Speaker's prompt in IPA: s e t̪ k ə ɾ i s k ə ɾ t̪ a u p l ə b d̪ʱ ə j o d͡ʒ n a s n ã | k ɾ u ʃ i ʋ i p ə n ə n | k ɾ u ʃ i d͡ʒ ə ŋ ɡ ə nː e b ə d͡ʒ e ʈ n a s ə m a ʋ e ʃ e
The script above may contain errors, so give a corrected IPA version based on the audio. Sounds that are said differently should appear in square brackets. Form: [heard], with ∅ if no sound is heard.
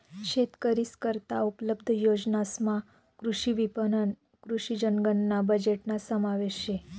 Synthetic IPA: [ʃ] e t̪ k ə ɾ i s k ə ɾ t̪ a u p l ə b d̪ʱ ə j o d͡ʒ n a s [m] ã | k ɾ u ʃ i ʋ i p ə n ə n | k ɾ u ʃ i d͡ʒ ə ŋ ɡ ə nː [a] b ə d͡ʒ e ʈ n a s ə m a ʋ e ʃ e